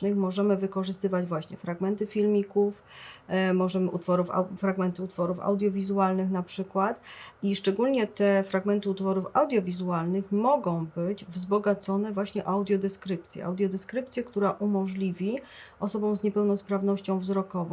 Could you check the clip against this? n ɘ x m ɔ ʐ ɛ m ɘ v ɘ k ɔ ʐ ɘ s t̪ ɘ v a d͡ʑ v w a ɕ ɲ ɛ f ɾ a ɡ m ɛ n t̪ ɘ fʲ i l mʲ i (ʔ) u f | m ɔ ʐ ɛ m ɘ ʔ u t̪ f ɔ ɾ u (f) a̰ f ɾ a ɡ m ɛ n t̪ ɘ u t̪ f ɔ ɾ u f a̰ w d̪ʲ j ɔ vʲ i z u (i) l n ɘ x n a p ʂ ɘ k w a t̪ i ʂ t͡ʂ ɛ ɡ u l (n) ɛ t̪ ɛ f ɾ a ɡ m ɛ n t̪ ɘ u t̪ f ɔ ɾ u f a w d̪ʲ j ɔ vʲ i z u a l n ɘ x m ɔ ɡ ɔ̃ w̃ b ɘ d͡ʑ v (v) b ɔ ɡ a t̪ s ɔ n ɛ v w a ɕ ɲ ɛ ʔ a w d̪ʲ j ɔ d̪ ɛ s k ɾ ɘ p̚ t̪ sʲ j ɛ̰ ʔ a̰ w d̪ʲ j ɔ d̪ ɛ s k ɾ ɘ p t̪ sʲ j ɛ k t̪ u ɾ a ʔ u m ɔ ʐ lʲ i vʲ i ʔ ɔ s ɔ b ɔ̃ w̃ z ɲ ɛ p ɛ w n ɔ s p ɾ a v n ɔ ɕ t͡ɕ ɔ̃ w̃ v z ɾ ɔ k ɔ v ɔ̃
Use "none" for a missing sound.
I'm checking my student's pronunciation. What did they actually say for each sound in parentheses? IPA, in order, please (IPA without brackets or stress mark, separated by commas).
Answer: k, f, a, ɲ, z